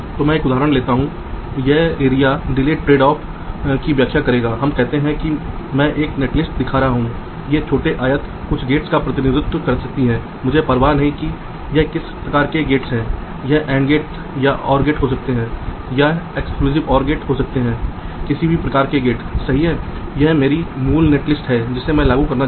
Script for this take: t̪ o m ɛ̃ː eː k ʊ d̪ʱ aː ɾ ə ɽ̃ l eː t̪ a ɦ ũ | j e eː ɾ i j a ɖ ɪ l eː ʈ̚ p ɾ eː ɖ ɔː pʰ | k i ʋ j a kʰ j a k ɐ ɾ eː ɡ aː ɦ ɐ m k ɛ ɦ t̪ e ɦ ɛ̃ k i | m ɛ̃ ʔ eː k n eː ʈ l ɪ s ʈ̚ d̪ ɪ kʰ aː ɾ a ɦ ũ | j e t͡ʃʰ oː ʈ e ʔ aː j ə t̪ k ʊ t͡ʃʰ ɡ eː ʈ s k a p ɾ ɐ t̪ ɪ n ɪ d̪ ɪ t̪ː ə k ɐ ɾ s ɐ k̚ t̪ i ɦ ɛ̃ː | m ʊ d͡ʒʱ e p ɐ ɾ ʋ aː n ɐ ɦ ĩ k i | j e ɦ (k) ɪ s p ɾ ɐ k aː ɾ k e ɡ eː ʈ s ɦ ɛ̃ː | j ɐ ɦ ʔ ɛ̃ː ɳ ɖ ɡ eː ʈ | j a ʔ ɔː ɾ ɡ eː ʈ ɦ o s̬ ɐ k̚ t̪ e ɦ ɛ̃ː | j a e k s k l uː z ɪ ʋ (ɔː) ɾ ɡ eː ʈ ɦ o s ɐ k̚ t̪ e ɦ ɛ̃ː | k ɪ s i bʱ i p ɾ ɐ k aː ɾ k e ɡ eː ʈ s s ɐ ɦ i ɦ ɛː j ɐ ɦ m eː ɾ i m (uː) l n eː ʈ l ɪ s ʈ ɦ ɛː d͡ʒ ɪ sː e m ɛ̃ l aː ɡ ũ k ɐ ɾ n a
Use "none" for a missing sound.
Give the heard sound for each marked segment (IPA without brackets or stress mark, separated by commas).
k, ɔː, uː